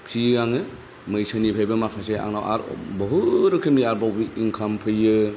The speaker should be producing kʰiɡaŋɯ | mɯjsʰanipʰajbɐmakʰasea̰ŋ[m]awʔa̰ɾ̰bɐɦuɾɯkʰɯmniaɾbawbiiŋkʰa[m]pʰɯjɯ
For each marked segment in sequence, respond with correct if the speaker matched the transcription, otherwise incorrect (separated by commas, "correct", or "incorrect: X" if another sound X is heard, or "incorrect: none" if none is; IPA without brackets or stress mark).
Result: incorrect: n, correct